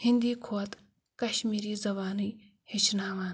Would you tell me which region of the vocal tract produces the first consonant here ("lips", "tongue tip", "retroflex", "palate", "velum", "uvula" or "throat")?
throat